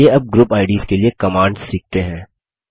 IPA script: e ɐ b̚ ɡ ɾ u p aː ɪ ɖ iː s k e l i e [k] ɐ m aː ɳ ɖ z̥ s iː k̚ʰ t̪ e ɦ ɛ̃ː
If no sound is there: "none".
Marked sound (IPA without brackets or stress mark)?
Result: k